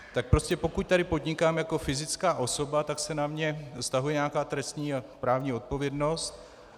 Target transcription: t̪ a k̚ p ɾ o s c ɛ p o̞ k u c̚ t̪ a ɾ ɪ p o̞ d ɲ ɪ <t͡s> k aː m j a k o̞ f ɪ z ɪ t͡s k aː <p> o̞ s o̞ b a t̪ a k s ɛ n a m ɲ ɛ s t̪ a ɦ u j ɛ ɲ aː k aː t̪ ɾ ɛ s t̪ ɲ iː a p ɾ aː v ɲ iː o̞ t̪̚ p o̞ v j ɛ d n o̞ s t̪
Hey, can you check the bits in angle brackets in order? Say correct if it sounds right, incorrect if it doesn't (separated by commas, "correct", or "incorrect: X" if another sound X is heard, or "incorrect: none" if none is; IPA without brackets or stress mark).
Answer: incorrect: none, incorrect: ʔ